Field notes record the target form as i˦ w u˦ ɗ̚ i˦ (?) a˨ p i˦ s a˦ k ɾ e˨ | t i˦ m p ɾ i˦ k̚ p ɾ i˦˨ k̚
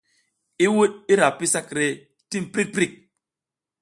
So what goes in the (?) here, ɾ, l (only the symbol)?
ɾ